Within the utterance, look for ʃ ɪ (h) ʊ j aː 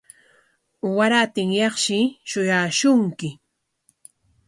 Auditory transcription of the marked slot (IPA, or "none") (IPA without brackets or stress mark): ʃ